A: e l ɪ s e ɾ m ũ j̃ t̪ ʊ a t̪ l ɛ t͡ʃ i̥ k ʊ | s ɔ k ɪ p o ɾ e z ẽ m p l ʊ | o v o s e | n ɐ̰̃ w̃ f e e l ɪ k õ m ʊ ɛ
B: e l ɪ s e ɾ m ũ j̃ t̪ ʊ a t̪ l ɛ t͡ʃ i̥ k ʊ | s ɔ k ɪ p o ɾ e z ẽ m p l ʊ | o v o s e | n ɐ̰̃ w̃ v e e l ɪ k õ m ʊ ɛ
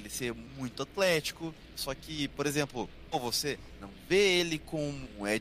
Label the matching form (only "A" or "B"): B